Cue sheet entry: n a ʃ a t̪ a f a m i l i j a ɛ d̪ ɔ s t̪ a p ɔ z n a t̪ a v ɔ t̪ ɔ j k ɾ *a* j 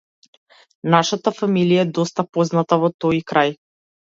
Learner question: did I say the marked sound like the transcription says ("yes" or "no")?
yes